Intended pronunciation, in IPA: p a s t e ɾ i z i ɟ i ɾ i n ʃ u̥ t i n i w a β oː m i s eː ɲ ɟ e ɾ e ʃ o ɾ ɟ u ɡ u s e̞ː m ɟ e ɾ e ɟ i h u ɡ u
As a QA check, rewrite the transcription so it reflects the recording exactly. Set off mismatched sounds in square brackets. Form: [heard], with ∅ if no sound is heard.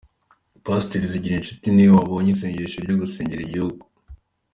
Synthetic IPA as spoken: p a s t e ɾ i z i ɟ i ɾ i n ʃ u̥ t i n i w a β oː [ɲ] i s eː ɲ ɟ e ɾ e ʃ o ɾ ɟ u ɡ u s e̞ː [ɲ] ɟ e ɾ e ɟ i h u ɡ u

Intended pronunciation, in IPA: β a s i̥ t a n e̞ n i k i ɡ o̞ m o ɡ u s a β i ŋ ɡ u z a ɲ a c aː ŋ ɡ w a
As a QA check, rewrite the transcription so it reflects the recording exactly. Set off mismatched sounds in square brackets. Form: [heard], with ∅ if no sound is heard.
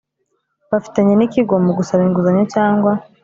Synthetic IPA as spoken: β a [f] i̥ t a [ɲ] e̞ n i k i ɡ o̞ m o ɡ u s a β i ŋ ɡ u z a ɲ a c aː ŋ ɡ w a

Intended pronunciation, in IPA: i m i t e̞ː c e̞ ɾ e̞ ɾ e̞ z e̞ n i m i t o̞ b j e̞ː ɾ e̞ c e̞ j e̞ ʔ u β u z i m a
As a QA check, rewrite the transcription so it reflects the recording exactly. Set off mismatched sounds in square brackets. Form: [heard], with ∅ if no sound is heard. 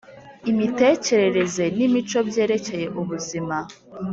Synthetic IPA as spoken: i m i t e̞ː c e̞ ɾ e̞ ɾ e̞ z e̞ n i m i [t͡ʃ] o̞ b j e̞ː ɾ e̞ c e̞ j e̞ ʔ u β u z i m a

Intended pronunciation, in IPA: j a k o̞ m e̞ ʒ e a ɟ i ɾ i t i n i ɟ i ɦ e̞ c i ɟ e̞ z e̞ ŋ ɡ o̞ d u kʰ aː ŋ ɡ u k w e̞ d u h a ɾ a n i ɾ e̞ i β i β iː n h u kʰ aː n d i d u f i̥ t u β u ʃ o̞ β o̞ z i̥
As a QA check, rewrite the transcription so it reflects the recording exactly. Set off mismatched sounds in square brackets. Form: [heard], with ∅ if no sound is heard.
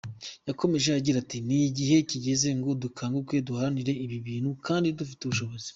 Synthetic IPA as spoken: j a k o̞ m e̞ ʒ e a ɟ i ɾ [a] t i n i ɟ i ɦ e̞ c i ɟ e̞ z e̞ ŋ ɡ o̞ d u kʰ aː ŋ ɡ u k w e̞ d u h a ɾ a n i ɾ e̞ i β i β iː n h u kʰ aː n d i d u f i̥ t u β u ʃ o̞ β o̞ z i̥

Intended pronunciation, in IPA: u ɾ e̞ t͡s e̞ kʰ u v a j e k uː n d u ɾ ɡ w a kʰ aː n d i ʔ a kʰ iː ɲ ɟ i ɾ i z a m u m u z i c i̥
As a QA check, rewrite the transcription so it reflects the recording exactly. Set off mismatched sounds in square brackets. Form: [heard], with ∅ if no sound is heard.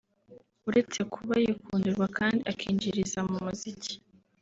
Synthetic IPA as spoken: u ɾ e̞ t͡s e̞ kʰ u [β] a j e k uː n d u ɾ ɡ w a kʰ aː n d i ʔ a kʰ iː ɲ ɟ i ɾ i z a m u m u z i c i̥

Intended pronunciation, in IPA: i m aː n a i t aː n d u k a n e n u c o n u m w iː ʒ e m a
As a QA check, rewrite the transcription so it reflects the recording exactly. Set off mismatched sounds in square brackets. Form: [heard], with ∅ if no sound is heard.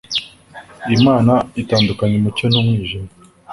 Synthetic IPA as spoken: i m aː n a i t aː n d u k a [ɲ] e [m] u c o n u m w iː ʒ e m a

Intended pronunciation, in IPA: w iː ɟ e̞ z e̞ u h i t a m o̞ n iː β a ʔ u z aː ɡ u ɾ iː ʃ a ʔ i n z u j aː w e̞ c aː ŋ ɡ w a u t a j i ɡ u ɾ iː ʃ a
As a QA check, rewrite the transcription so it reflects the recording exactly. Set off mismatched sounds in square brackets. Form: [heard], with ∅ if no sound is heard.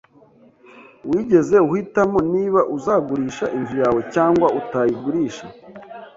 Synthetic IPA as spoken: w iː ɟ e̞ z e̞ u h i t a m o̞ n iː β a ʔ u z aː ɡ u ɾ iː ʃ a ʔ i n z u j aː w e̞ c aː ŋ ɡ w a u t a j i ɡ u ɾ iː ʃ a

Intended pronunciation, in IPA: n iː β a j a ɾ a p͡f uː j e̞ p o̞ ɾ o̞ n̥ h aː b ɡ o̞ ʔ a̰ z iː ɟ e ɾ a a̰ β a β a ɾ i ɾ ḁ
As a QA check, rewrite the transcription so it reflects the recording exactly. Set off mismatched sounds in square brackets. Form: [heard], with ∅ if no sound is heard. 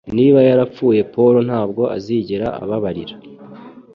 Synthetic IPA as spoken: n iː β a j a ɾ a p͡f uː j e̞ p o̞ ɾ o̞ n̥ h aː b ɡ o̞ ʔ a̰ z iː ɟ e ɾ a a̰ β a β a ɾ i ɾ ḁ

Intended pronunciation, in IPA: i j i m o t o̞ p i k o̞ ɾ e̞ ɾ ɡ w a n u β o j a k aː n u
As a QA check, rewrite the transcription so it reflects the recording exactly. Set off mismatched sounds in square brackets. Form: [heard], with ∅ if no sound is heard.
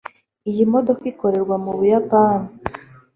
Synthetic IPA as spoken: i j i m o [d] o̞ [k] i k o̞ ɾ e̞ ɾ ɡ w a [m] u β [u] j a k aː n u

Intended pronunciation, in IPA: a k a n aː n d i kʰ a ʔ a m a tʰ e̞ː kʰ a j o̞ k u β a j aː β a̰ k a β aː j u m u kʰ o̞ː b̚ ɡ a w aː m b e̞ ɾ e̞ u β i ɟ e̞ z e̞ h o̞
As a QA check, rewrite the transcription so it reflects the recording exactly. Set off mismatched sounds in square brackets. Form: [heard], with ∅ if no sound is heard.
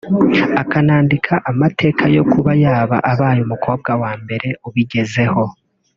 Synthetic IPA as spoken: a k a n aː n d i kʰ a ʔ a m a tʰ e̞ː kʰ a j o̞ k u β a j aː β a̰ [ʔ] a β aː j u m u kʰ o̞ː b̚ ɡ a w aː m b e̞ ɾ e̞ u β i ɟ e̞ z e̞ h o̞

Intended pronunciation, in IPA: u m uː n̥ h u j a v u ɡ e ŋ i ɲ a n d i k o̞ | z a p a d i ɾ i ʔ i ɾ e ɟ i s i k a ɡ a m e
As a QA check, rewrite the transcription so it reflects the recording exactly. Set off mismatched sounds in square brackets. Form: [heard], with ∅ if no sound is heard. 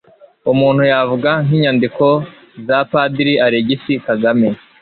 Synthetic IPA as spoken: u m uː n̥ h u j a v u ɡ [a] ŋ i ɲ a n d i k o̞ | z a p a d i ɾ i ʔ [a] ɾ e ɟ i s i k a ɡ a m e

